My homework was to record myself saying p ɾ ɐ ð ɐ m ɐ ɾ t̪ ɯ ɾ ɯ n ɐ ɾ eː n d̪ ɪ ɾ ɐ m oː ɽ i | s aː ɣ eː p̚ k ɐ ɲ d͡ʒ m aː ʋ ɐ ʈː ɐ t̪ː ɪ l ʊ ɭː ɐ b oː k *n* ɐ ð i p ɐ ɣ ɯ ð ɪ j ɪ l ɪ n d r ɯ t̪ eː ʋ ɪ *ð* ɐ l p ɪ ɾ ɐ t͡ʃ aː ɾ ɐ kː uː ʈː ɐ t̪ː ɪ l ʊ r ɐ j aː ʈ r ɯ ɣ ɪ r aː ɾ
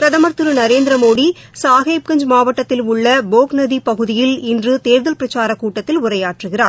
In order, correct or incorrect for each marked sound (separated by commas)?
correct, correct